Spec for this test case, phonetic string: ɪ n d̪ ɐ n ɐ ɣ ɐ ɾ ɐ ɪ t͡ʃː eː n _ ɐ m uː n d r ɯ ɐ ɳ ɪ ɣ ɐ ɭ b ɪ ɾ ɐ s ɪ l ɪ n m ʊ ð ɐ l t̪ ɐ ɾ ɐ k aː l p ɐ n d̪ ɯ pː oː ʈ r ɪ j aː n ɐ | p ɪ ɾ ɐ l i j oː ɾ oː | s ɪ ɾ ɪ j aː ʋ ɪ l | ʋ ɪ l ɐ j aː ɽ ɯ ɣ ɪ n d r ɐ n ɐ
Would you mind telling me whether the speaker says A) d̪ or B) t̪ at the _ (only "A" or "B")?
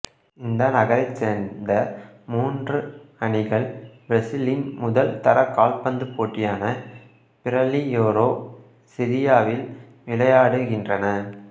A